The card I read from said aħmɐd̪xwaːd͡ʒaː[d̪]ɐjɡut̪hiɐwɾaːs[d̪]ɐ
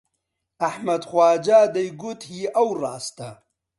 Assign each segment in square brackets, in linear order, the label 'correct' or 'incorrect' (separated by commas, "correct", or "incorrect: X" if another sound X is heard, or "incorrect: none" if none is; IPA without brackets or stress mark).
correct, incorrect: t̪